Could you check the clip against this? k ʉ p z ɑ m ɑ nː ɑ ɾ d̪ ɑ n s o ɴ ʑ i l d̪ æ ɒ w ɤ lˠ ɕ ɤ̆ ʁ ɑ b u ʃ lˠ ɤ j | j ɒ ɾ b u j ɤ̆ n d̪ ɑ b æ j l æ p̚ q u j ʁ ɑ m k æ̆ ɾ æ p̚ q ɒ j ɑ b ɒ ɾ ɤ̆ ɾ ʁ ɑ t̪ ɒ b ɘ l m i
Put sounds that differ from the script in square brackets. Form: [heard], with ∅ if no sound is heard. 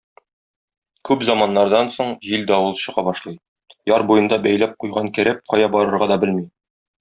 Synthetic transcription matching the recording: k ʉ p z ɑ m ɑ nː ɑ ɾ d̪ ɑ n s o ɴ ʑ i l d̪ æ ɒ w ɤ lˠ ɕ ɤ̆ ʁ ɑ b [ɒ] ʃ lˠ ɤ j | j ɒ ɾ b u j ɤ̆ n d̪ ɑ b æ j l æ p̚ q u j ʁ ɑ [ŋ] k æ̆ ɾ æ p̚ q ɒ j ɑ b ɒ ɾ ɤ̆ ɾ ʁ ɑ [d̪] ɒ b ɘ l m i